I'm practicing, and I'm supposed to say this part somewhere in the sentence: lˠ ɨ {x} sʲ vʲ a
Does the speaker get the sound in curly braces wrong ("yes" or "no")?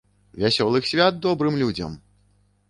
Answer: no